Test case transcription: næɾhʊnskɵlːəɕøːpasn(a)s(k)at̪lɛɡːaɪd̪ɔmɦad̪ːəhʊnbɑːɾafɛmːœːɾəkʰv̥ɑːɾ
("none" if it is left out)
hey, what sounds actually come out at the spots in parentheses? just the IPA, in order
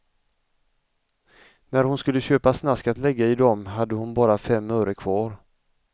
a, k

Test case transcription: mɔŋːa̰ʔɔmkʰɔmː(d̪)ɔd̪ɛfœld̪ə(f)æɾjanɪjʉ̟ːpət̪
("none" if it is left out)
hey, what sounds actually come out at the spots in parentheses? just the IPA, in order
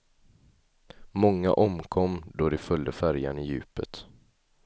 d̪, f

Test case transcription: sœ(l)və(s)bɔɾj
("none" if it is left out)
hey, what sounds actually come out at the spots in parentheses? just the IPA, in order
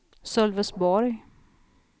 l, s

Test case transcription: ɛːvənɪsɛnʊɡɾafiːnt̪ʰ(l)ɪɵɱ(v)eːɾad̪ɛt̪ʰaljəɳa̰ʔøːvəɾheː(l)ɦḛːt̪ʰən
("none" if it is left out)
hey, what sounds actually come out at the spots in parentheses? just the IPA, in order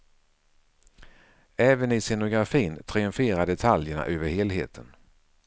ɾ, f, l

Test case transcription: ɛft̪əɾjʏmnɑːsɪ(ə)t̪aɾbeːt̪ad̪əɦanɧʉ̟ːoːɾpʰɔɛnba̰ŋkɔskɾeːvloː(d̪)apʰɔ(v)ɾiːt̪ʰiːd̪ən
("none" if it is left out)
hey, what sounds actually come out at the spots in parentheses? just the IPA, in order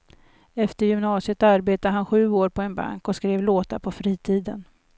ə, t̪, f

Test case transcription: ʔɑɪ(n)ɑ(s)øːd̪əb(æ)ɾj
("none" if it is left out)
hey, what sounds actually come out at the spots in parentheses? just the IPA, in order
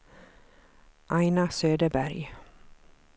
n, s, æ

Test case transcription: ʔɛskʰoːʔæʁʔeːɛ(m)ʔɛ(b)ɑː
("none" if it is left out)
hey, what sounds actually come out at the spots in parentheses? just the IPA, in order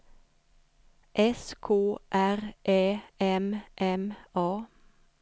m, m

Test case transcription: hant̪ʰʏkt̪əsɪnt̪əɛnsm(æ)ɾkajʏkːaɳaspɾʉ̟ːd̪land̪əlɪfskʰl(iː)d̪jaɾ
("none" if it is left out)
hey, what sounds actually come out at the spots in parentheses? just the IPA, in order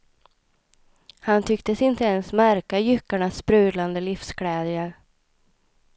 æ, ɛː

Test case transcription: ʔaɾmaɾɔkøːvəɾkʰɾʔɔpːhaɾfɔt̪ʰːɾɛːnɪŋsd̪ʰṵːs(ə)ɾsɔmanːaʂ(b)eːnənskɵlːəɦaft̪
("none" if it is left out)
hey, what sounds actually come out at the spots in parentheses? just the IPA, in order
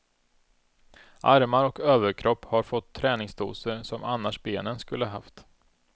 ə, b

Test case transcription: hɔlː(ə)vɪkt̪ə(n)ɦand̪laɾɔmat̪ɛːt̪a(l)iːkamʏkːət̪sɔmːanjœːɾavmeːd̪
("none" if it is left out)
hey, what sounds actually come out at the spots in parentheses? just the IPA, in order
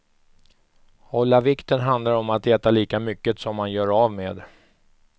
a, n, l

